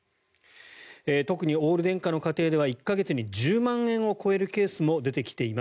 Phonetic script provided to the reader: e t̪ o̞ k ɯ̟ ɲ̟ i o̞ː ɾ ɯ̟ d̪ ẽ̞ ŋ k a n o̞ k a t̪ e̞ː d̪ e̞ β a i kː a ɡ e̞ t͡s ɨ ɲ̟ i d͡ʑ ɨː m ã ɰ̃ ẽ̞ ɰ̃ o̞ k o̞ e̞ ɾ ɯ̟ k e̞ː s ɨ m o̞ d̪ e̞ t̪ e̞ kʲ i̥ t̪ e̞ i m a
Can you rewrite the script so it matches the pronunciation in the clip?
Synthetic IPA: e t̪ o̞ k ɯ̟ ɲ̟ i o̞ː ɾ ɯ̟ d̪ ẽ̞ ŋ k a n o̞ k a t̪ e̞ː d̪ e̞ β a i kː a ɡ e̞ t͡s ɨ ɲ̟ i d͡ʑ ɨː m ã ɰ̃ ẽ̞ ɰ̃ o̞ k o̞ e̞ ɾ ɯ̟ k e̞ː s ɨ m o̞ d̪ e̞ t̪ e̞ kʲ i̥ t̪ e̞ i m a